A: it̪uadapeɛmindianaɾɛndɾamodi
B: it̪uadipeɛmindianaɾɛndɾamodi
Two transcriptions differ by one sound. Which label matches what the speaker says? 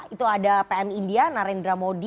A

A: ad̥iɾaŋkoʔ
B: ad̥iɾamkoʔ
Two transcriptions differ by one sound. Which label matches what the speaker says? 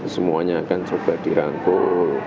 A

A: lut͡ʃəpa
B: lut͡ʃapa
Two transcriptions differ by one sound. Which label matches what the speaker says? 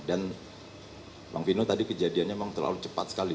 A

